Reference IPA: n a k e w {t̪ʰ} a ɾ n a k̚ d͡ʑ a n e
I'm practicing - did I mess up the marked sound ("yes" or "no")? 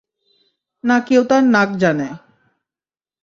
yes